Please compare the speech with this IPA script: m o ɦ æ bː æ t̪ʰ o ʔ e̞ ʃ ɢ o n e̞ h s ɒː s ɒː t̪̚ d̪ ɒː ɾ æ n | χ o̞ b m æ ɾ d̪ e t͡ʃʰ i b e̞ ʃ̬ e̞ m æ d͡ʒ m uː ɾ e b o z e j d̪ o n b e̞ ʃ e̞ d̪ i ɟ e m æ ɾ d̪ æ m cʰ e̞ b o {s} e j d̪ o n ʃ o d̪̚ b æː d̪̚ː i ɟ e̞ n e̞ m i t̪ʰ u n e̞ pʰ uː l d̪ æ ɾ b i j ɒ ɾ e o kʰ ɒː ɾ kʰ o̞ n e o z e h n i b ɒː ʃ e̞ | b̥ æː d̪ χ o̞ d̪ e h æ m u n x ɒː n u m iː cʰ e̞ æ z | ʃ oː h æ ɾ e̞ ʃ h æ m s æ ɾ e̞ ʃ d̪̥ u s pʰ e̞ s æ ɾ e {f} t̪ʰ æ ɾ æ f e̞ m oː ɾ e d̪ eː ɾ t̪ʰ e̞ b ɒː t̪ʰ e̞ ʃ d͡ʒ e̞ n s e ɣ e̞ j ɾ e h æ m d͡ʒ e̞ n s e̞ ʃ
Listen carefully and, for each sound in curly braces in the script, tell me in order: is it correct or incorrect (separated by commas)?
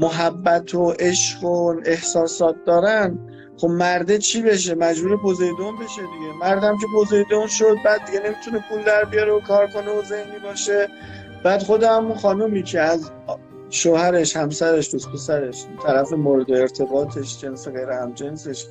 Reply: incorrect, incorrect